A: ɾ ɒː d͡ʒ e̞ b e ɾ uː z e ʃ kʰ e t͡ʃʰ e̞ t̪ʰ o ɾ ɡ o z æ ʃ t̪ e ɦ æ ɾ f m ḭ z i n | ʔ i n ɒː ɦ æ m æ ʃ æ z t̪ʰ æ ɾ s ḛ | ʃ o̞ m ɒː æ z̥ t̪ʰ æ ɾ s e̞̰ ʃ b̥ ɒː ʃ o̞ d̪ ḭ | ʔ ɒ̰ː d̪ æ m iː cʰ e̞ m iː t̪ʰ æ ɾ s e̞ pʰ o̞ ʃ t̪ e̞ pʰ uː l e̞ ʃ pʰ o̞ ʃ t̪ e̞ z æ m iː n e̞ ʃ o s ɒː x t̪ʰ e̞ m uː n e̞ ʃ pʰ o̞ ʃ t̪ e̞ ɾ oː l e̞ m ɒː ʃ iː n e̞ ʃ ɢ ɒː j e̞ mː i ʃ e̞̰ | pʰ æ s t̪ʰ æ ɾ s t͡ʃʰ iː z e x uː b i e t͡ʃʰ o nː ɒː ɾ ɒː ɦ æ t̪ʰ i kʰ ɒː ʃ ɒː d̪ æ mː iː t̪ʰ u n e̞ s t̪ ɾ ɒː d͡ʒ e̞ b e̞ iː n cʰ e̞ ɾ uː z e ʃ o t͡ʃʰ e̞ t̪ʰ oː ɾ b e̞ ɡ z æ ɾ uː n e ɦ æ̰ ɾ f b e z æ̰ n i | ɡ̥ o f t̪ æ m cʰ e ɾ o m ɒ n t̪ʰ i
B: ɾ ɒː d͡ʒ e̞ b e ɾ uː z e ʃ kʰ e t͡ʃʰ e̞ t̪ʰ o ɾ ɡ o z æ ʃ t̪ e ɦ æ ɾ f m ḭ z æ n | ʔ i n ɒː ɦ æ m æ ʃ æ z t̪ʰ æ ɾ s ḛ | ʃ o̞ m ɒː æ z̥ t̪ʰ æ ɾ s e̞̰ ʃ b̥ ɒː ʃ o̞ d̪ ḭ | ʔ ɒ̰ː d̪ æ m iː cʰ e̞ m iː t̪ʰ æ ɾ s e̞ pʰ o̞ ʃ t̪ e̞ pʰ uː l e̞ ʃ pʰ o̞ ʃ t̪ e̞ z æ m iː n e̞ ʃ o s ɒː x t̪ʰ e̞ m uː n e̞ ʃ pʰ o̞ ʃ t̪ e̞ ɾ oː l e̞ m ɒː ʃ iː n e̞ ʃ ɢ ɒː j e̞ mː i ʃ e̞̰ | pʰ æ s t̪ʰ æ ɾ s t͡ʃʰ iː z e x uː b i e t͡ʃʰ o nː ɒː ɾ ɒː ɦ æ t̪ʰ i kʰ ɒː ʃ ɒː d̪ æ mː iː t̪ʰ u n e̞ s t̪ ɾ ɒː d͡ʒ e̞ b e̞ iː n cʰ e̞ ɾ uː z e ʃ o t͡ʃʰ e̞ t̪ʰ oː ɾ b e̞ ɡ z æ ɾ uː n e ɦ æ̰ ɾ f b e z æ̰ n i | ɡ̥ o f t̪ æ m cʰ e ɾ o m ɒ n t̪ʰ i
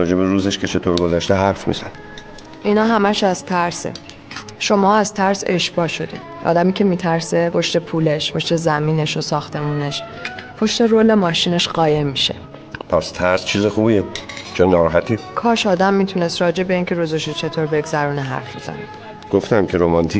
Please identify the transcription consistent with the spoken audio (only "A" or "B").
B